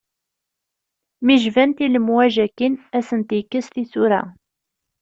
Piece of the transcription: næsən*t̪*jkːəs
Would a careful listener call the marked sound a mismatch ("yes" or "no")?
no